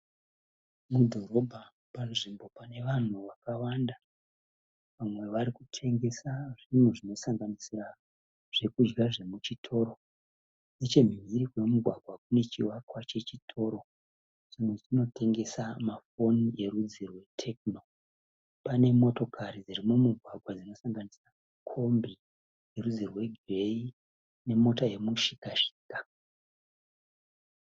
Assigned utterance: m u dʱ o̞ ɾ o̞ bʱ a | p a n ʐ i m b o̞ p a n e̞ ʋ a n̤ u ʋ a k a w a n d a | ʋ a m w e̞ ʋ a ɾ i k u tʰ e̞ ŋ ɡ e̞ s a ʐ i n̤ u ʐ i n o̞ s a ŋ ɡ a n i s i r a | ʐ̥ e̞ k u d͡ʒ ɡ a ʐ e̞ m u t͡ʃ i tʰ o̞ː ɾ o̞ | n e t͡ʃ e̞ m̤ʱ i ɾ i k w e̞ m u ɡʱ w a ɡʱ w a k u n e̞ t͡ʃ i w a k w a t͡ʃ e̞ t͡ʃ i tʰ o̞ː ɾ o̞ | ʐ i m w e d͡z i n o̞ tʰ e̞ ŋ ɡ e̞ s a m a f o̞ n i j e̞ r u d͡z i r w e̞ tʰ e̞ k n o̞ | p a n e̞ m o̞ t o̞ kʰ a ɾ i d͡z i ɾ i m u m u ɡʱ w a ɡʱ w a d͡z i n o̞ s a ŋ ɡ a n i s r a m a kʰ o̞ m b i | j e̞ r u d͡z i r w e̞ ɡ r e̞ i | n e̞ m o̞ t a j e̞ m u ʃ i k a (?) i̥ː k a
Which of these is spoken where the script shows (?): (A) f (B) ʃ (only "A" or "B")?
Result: B